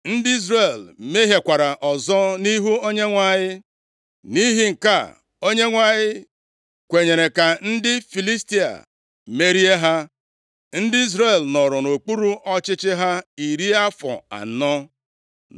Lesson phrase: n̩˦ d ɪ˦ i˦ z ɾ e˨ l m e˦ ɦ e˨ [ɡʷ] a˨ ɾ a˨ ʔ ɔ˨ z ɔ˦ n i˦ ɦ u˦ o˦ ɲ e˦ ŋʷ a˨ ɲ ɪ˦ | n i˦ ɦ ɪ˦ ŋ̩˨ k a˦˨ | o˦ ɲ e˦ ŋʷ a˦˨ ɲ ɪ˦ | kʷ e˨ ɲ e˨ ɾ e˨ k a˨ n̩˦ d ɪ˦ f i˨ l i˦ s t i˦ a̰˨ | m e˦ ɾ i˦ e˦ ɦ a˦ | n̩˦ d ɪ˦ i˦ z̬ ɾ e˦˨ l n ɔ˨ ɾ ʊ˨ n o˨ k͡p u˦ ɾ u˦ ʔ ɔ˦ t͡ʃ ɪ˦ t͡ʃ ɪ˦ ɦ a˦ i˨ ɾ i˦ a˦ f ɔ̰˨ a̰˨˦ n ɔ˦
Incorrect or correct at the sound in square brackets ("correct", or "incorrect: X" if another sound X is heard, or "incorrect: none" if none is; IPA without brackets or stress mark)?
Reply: incorrect: kʷ